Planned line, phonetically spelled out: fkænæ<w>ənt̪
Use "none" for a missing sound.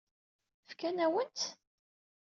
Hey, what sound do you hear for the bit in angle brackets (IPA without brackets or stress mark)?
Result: w